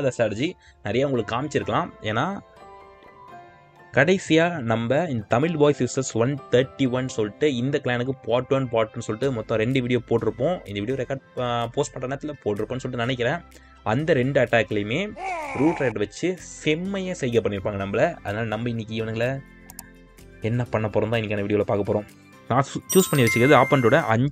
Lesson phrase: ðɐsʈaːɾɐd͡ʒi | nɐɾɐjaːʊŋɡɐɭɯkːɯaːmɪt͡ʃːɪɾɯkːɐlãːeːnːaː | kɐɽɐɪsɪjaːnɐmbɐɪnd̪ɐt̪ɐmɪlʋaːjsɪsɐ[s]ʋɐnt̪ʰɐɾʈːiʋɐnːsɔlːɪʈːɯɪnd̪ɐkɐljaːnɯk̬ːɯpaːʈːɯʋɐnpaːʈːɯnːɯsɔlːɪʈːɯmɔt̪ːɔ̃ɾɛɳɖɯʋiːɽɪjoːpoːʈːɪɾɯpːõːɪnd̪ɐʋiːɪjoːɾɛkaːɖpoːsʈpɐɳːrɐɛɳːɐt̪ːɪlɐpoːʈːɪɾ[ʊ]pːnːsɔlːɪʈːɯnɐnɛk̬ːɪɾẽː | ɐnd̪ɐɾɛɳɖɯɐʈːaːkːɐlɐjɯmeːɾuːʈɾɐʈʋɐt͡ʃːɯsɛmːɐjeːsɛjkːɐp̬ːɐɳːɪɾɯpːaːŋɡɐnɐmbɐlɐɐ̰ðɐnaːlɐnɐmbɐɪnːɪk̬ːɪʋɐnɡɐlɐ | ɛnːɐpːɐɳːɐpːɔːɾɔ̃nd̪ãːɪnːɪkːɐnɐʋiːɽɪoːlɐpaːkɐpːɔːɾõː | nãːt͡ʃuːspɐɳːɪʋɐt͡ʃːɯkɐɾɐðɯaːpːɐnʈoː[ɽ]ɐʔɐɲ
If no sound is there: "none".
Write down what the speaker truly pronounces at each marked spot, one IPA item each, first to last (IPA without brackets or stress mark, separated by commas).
s, ɯ, ɽ